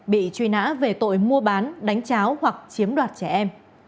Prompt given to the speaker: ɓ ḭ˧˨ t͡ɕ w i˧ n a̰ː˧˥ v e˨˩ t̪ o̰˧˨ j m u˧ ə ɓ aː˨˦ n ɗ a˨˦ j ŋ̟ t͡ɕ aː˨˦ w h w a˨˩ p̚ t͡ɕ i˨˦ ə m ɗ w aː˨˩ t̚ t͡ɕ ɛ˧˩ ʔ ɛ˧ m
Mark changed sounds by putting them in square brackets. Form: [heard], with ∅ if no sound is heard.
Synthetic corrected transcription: ɓ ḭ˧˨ t͡ɕ w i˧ n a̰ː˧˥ v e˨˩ t̪ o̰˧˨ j m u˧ ə ɓ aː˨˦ n ɗ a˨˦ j ŋ̟ t͡ɕ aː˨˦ w h w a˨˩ [k̚] t͡ɕ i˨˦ ə m ɗ w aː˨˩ t̚ t͡ɕ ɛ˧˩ ʔ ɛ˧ m